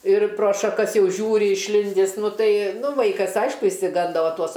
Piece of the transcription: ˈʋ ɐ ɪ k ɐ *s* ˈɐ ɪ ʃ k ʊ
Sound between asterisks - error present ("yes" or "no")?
no